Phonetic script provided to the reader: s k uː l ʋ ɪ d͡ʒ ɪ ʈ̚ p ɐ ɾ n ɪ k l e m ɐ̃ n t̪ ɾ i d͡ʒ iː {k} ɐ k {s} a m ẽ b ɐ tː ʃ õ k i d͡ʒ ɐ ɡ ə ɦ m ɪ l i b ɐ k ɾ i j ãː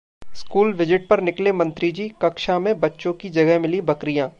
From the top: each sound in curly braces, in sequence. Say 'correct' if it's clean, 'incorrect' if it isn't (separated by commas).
correct, incorrect